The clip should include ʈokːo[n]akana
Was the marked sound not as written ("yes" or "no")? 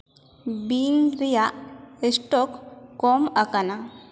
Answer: yes